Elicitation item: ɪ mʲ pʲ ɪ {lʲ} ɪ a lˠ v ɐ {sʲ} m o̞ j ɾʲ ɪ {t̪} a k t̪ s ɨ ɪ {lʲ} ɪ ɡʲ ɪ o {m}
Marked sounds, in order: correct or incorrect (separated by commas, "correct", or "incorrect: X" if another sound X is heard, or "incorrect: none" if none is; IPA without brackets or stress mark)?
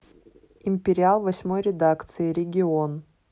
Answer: incorrect: ɾʲ, correct, incorrect: d̪, incorrect: ɾʲ, incorrect: n